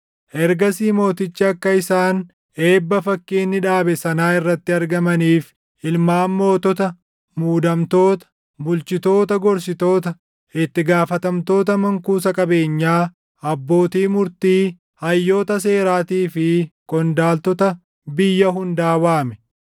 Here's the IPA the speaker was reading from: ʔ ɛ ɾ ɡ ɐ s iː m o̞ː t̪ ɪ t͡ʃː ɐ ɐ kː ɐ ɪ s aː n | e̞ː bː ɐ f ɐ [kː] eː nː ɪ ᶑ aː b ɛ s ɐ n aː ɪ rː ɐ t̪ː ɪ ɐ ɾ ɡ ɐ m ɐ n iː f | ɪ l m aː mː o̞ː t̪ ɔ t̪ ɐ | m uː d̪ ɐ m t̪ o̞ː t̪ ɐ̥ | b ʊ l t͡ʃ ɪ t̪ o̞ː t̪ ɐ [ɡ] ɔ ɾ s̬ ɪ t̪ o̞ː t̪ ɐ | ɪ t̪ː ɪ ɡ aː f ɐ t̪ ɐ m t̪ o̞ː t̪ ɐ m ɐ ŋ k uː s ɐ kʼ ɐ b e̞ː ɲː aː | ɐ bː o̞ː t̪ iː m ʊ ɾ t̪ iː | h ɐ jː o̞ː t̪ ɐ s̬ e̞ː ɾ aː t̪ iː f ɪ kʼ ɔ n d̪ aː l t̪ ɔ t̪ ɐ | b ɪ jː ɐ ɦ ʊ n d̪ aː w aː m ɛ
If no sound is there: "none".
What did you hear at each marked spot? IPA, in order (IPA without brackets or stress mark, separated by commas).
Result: kː, ɡ